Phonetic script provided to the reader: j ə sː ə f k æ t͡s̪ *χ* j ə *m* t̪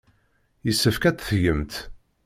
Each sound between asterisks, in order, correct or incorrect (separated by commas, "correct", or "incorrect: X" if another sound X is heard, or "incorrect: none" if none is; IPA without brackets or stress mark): incorrect: θ, correct